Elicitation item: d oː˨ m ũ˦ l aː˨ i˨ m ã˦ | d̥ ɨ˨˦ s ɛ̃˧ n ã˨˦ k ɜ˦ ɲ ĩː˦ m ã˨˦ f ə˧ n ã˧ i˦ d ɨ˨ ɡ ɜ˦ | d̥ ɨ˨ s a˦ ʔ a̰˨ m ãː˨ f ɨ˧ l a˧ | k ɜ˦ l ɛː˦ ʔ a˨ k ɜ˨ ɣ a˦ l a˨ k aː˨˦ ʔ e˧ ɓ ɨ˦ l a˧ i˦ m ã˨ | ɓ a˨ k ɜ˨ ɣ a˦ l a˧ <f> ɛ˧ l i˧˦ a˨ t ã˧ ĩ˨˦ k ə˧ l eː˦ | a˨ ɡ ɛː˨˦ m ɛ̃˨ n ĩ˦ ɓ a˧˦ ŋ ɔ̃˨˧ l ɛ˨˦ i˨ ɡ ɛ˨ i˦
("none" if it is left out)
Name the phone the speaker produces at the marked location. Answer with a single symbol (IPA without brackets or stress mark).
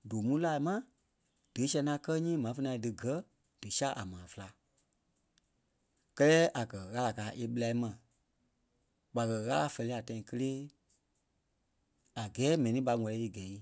f